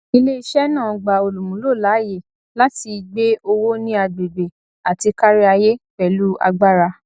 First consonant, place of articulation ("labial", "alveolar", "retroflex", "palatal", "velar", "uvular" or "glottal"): alveolar